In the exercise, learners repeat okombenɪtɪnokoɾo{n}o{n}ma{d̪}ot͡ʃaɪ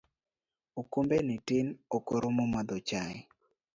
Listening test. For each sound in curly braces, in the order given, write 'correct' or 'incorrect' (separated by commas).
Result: incorrect, incorrect, correct